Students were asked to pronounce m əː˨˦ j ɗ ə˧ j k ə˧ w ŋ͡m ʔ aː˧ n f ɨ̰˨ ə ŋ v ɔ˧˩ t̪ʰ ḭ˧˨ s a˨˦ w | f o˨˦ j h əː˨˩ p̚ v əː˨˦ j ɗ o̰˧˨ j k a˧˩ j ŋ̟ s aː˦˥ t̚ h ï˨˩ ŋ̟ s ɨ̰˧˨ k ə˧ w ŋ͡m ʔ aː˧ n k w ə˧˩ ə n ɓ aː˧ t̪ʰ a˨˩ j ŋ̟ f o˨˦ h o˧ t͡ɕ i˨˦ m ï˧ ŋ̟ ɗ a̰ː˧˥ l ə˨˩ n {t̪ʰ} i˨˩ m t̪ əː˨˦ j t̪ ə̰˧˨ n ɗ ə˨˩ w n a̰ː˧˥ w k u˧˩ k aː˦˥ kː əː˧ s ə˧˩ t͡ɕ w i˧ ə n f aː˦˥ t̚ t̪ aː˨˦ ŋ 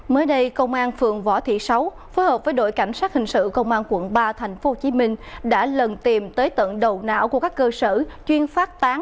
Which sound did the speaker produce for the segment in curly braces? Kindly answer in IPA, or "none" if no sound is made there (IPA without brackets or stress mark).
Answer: t̪